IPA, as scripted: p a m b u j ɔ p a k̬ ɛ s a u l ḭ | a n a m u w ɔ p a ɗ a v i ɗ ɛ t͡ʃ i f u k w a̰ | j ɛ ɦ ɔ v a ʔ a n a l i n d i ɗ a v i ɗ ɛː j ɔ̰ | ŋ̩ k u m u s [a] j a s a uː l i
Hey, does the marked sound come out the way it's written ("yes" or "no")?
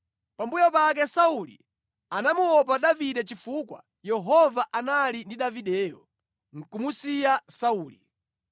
no